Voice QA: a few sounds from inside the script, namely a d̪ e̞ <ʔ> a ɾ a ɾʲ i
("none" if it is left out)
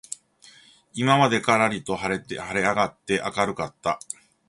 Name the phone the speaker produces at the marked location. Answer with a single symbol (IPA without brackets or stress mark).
k